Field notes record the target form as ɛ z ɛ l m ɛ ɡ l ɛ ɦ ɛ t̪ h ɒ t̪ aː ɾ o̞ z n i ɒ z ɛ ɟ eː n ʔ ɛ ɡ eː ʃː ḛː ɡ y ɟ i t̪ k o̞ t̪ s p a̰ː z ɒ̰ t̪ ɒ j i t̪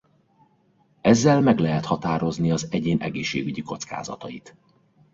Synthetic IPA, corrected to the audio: ɛ zː ɛ l m ɛ ɡ l ɛ ɦ ɛ t̪ h ɒ t̪ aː ɾ o̞ z n i ɒ z ɛ ɟ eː n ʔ ɛ ɡ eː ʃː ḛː ɡ y ɟ i k o̞ t̪ s k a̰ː z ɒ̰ t̪ ɒ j i t̪